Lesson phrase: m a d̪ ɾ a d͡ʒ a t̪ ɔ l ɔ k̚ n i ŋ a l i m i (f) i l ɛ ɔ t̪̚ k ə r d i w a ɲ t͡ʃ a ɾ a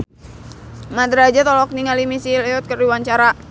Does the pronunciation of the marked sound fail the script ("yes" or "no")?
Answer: yes